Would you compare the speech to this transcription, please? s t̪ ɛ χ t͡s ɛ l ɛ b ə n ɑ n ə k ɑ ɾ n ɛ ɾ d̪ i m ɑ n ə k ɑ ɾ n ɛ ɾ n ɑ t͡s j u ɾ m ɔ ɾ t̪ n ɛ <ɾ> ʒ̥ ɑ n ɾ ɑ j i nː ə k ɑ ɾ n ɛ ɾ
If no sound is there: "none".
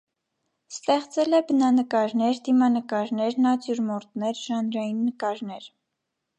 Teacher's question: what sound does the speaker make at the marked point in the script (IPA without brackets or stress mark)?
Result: ɾ